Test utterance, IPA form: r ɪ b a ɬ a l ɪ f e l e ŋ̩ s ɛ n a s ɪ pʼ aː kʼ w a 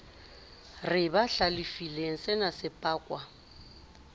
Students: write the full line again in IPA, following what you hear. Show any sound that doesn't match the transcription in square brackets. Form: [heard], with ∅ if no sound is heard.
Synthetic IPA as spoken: r ɪ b a ɬ a l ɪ f [i] l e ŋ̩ s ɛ n a s ɪ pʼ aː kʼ w a